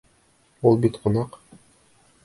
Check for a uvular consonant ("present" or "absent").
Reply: present